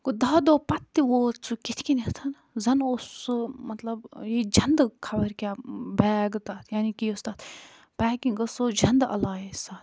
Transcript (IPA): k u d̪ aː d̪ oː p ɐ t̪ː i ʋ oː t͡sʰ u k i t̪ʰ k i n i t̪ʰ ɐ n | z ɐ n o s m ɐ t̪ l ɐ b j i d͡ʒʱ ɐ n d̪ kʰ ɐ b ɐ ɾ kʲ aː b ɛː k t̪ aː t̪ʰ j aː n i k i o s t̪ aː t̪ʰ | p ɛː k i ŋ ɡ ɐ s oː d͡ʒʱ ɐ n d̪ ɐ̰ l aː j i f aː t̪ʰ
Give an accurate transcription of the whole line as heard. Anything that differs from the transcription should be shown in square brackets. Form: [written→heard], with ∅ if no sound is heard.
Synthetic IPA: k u d̪ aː d̪ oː p ɐ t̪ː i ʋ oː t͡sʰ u k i t̪ʰ k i n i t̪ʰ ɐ n | z ɐ n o s m ɐ t̪ l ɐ b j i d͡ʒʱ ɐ n d̪ kʰ ɐ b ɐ ɾ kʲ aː b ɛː [k→ɡ] t̪ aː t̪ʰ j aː n i k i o s t̪ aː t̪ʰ | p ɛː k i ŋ ɡ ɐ s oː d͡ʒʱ ɐ n d̪ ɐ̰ l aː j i [f→s] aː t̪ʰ